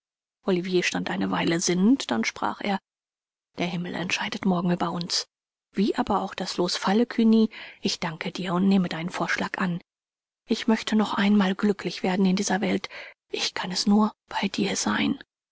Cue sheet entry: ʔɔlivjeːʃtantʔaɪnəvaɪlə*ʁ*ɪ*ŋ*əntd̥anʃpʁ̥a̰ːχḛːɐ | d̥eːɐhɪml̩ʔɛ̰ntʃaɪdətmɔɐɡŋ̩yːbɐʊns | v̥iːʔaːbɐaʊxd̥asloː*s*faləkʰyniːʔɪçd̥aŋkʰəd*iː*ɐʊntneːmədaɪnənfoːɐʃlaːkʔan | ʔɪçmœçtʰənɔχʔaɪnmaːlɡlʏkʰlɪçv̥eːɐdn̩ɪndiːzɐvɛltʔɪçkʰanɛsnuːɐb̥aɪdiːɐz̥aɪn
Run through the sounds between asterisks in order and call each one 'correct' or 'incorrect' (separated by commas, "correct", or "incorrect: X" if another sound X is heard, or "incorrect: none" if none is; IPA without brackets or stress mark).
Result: incorrect: z, incorrect: n, correct, correct